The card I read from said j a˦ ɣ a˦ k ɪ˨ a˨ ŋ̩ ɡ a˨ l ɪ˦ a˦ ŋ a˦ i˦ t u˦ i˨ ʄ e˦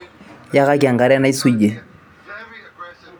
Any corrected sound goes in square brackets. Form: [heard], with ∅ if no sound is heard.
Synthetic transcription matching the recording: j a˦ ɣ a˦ k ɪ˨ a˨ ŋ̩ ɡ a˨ [ɾ] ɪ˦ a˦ [n] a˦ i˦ [s] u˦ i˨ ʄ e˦